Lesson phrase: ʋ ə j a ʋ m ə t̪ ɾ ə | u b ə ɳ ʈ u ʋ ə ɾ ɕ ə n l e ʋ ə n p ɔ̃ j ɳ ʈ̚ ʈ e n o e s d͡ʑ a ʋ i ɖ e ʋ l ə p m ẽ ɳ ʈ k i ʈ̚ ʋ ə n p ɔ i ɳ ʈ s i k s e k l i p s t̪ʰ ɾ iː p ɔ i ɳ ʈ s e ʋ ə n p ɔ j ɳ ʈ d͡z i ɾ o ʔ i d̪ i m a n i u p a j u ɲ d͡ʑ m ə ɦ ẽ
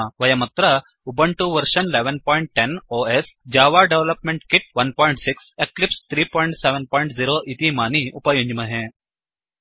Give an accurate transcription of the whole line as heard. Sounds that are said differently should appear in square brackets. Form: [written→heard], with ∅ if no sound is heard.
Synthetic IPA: ʋ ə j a [ʋ→∅] m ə t̪ ɾ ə | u b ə ɳ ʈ u ʋ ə ɾ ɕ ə n l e ʋ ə n p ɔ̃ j ɳ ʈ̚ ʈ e n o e s d͡ʑ a ʋ [i→a] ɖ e ʋ l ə p m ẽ ɳ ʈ k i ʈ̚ ʋ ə n p ɔ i ɳ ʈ s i k s e k l i p s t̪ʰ ɾ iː p ɔ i ɳ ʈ s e ʋ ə n p ɔ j ɳ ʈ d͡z i ɾ o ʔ i [d̪→t̪] i m a n i u p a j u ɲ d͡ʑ m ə ɦ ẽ